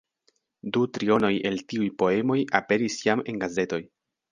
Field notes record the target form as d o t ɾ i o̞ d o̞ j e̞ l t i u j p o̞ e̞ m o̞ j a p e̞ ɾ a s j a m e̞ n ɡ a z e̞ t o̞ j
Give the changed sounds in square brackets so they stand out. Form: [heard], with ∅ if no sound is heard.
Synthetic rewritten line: d [u] t ɾ i o̞ [n] o̞ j e̞ l t i u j p o̞ e̞ m o̞ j a p e̞ ɾ [i] s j a m e̞ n ɡ a z e̞ t o̞ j